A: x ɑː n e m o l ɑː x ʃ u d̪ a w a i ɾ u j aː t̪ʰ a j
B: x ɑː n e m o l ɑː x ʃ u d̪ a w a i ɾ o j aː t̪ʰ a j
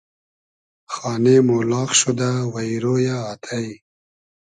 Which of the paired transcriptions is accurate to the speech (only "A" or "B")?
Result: B